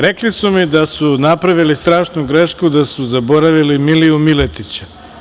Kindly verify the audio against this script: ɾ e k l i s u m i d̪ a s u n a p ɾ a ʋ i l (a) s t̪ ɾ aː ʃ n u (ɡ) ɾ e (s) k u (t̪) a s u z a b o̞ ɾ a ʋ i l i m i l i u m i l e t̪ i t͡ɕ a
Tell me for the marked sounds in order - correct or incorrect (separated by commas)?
incorrect, correct, incorrect, incorrect